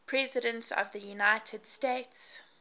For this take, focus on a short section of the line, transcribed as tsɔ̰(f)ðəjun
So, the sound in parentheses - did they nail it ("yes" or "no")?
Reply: no